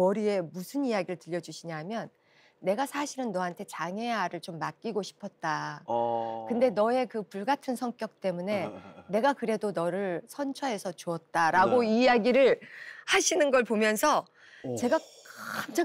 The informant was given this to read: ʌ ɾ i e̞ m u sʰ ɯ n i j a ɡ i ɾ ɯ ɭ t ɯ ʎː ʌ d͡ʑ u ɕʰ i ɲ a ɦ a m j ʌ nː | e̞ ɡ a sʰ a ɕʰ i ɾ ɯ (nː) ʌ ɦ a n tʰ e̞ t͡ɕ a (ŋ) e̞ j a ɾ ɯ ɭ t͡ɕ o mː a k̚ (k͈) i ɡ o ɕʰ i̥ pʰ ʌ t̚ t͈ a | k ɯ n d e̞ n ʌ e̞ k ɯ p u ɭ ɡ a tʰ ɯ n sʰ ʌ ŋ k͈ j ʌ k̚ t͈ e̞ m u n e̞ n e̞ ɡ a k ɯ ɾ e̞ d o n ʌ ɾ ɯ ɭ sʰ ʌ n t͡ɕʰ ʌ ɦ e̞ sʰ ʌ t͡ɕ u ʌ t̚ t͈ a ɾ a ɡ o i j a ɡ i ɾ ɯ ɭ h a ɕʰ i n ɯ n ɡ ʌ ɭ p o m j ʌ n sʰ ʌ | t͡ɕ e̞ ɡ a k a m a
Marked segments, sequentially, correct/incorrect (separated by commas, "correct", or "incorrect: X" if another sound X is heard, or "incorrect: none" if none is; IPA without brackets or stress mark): correct, correct, correct